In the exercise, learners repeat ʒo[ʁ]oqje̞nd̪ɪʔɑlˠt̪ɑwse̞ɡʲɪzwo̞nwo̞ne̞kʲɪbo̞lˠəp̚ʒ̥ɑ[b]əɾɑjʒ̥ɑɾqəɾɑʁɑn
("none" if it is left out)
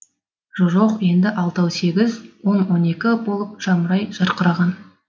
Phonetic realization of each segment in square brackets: ʒ, m

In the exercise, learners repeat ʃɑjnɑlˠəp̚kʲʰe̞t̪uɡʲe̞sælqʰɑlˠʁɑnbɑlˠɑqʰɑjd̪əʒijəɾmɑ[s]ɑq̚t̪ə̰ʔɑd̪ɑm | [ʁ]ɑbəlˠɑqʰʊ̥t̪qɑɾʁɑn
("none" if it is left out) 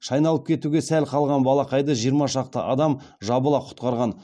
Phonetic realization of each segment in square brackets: ʃ, ʒ

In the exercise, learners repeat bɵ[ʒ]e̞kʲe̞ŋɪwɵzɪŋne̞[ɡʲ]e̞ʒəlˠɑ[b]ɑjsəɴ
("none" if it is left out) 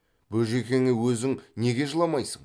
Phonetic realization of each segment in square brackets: ʒ, ɡʲ, m

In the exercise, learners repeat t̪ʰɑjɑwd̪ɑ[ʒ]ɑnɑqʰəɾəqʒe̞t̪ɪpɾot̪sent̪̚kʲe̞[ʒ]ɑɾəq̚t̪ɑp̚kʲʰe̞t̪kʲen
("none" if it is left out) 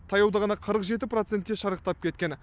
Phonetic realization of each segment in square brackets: ʁ, ʃ

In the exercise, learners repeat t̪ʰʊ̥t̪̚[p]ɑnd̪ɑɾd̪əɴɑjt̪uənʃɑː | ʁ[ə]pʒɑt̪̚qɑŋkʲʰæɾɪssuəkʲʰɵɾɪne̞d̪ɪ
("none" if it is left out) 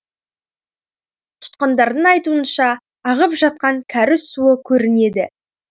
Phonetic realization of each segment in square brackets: q, ə

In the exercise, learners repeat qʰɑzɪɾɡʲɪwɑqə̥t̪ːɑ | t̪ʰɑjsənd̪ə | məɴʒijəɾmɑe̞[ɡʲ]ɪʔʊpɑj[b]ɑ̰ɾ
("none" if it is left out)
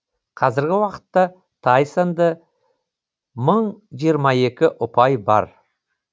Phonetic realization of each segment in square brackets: kʲ, b

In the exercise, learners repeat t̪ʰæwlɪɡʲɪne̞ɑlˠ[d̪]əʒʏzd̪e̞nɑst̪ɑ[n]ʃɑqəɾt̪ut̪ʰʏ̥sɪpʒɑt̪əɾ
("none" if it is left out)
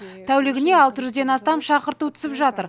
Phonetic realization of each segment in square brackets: t̪, m

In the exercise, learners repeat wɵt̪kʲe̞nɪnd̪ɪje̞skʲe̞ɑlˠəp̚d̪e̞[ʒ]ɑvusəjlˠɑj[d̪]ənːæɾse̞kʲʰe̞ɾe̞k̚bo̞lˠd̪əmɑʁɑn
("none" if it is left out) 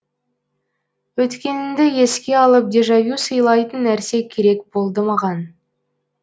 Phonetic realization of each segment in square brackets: ʒ, t̪

